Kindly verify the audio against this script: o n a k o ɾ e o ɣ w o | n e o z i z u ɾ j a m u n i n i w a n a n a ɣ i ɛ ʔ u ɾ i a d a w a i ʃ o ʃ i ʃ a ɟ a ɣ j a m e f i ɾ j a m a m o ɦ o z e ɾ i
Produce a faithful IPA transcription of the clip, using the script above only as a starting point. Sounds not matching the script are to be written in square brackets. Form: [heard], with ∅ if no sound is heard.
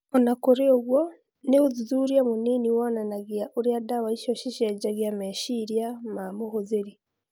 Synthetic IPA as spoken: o n a k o ɾ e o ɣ w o | n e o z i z u ɾ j a m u n i n i w a n a n a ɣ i [a] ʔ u ɾ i a d a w a i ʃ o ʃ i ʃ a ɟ a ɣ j a m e [ʃ] i ɾ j a m a m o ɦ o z e ɾ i